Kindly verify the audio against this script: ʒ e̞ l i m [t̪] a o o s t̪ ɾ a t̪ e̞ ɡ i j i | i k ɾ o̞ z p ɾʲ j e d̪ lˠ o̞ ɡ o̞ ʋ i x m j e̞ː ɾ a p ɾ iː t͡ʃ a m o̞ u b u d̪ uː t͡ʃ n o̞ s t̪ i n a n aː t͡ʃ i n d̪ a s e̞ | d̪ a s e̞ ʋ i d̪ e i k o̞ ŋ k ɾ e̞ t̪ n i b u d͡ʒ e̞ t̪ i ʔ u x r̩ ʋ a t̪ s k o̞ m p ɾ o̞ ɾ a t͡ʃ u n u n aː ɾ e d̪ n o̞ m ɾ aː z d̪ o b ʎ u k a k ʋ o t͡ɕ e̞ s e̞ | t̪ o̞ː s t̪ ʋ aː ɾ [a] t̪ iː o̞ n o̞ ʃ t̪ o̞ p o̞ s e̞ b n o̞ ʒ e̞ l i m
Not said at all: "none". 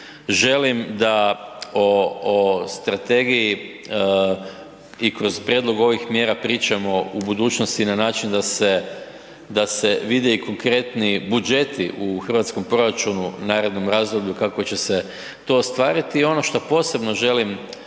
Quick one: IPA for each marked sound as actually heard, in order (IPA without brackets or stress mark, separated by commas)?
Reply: d̪, i